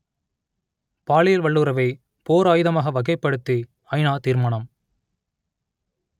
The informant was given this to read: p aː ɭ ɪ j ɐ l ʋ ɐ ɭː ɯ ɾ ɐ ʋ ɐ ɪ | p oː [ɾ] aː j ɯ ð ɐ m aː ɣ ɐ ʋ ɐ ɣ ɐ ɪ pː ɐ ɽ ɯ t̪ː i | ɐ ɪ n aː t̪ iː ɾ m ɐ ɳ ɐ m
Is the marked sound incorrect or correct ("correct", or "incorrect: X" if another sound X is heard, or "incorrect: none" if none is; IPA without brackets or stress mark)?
correct